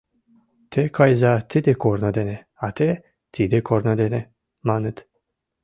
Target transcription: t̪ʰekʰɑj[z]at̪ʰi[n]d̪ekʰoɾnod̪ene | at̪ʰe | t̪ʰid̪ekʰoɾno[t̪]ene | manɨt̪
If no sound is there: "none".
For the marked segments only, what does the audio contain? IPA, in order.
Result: z, none, d̪

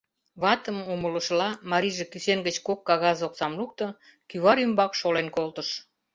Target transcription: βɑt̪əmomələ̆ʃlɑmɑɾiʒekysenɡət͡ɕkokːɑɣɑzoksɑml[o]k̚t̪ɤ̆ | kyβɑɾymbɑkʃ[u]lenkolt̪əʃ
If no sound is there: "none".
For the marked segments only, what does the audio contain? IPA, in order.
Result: u, o

